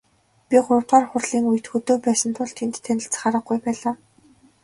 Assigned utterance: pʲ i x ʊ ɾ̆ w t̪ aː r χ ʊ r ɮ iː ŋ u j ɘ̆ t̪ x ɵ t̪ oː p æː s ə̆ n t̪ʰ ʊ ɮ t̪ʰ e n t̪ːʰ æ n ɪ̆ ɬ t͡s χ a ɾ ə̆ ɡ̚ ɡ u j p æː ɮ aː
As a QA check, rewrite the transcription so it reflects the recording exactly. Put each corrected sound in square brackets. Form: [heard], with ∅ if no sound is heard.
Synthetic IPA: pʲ i [χ] ʊ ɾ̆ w t̪ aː r χ ʊ r ɮ iː ŋ u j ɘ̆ t̪ x ɵ t̪ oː p æː s ə̆ n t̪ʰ ʊ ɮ t̪ʰ e n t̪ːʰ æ n ɪ̆ ɬ t͡s χ a ɾ ə̆ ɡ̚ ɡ u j p æː ɮ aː